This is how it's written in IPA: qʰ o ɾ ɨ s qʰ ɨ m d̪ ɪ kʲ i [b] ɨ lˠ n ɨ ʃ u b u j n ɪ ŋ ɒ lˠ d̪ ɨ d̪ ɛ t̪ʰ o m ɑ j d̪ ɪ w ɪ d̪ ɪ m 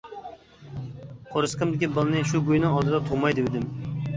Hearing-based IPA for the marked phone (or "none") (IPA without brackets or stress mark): b